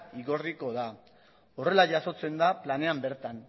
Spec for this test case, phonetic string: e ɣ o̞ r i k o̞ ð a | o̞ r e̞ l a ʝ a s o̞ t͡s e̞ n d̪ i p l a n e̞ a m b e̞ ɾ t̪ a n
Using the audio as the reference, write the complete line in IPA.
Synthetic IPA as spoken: i ɣ o̞ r i k o̞ ð a | o̞ r e̞ l a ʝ a s o̞ t͡s e̞ n d̪ a p l a n e̞ a m b e̞ ɾ t̪ a n